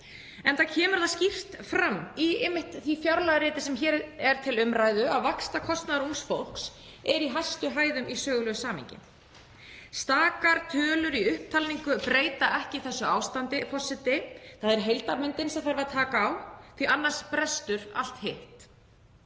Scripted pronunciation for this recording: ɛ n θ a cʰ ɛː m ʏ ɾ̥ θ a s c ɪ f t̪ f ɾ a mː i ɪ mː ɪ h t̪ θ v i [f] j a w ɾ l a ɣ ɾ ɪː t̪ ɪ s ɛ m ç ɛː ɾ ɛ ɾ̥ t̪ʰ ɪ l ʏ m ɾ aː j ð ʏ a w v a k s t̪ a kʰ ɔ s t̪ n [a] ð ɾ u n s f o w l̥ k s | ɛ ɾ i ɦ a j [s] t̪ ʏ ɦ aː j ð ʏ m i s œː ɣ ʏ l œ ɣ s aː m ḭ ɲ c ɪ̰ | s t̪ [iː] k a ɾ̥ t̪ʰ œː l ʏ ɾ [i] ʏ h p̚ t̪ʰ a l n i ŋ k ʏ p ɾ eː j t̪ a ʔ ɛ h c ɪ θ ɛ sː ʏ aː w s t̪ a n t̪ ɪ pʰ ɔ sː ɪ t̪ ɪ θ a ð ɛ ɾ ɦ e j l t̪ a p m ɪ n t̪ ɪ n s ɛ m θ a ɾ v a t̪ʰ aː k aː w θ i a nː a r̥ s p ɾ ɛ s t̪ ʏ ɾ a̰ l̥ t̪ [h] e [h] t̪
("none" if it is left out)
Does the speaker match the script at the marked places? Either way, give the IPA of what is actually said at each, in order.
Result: f, a, s, aː, i, h, h

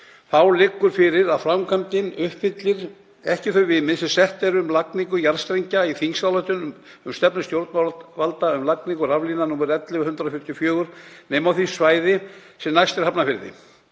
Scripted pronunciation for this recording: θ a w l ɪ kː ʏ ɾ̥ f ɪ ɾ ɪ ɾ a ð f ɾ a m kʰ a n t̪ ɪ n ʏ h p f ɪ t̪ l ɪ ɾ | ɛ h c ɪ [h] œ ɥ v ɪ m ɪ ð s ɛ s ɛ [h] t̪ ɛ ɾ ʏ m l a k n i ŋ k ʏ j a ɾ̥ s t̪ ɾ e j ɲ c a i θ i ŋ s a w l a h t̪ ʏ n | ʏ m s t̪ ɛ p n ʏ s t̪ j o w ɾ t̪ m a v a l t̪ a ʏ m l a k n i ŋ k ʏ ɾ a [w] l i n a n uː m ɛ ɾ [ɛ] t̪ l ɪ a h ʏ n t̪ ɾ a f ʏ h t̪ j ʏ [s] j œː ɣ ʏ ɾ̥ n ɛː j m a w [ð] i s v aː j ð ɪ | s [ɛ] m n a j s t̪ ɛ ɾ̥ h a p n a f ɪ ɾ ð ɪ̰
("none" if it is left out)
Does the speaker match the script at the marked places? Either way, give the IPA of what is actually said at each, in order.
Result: θ, h, v, ɛ, f, θ, ɛ

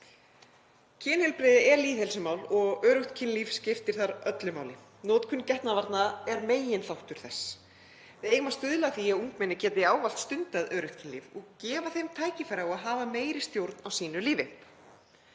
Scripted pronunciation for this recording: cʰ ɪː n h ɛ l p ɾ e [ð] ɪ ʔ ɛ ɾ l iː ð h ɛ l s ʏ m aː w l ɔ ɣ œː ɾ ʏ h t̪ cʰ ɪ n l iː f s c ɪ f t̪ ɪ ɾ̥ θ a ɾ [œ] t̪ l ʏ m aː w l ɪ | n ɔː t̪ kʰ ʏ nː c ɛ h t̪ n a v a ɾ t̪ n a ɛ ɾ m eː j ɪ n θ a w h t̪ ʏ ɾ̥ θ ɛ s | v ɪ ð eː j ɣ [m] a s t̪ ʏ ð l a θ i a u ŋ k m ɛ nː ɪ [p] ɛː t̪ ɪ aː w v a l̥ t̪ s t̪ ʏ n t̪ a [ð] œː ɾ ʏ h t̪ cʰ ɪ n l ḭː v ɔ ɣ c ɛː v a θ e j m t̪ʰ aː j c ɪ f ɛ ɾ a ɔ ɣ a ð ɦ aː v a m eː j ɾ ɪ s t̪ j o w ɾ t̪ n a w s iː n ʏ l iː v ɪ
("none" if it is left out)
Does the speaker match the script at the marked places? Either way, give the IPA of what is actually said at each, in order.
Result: ð, œ, m, c, ð

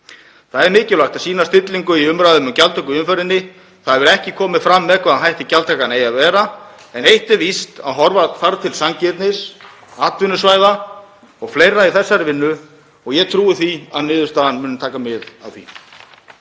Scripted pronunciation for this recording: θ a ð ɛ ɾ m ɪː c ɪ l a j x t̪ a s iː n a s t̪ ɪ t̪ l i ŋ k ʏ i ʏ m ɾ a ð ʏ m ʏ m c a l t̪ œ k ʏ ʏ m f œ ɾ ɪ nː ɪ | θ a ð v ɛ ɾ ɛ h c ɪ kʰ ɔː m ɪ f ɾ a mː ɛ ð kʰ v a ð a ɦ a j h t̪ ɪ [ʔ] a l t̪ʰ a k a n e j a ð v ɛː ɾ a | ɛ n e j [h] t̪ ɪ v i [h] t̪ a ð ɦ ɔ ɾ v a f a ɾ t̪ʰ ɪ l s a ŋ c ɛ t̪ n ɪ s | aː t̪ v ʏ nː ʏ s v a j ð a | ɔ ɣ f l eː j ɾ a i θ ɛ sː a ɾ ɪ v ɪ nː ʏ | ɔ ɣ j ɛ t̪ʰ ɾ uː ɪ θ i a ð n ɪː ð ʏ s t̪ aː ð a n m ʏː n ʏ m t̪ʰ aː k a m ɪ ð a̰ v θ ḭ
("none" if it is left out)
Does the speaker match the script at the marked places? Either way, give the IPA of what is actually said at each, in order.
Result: c, h, s

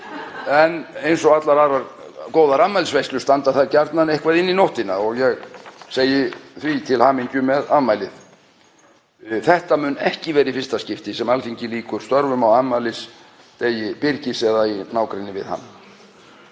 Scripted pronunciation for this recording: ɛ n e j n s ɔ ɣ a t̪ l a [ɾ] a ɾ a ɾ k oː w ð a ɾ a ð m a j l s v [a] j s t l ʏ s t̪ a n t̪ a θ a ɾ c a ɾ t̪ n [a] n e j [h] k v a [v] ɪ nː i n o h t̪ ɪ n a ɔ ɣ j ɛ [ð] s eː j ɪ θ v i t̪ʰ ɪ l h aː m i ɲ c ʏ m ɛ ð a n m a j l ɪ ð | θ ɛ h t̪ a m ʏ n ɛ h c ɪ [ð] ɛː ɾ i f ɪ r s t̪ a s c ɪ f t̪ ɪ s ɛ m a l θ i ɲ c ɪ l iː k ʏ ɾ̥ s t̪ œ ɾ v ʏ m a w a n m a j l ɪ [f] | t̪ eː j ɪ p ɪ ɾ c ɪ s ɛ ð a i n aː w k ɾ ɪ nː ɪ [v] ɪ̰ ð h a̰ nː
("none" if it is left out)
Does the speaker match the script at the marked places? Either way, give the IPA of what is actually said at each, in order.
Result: ɾ, e, a, h, ð, ɣ, v, s, v

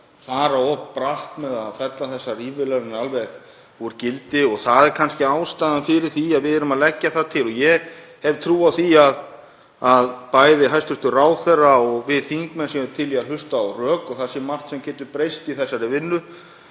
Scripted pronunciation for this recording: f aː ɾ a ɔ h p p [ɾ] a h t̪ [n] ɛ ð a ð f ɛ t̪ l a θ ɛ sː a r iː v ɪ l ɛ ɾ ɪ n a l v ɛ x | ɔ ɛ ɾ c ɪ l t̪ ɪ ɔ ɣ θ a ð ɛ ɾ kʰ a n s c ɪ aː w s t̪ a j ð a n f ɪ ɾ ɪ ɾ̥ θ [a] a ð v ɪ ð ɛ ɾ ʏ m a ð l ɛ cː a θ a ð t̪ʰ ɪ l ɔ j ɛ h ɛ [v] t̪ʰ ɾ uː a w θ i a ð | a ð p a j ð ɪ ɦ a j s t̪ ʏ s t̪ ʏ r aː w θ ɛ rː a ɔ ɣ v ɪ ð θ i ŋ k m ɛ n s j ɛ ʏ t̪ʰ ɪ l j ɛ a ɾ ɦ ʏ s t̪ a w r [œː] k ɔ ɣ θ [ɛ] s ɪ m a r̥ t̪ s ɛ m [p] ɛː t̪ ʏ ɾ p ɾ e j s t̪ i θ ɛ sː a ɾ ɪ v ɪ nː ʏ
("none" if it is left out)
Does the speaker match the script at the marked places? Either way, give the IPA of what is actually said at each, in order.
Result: ɾ, m, i, v, œː, a, c

